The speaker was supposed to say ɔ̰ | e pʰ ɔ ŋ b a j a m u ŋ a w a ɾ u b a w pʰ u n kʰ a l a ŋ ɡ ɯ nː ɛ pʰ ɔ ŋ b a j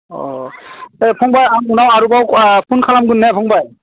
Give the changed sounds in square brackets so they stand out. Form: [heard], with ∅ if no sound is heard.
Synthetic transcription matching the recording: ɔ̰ | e pʰ ɔ ŋ b a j a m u [n] a w a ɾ u b a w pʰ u n kʰ a l a [m] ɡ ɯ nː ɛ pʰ ɔ ŋ b a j